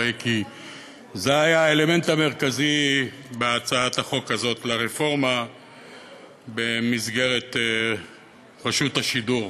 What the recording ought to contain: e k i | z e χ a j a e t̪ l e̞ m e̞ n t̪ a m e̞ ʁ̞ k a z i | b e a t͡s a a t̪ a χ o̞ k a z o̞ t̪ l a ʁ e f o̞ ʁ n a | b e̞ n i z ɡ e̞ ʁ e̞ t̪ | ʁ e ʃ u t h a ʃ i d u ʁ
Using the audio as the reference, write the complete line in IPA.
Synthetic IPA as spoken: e k i | z e a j a e l e̞ m e̞ n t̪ a m e̞ ʁ̞ k a z i | b e a t͡s a a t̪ a χ o̞ k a z o̞ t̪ l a ʁ e f o̞ ʁ m a | b e̞ m i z ɡ e̞ ʁ e̞ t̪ | ʁ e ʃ u t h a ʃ i d u ʁ